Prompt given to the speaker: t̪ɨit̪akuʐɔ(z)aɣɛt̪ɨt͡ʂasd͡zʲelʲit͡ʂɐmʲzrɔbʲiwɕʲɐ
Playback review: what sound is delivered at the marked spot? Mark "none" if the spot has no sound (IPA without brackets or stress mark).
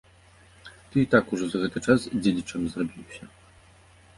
z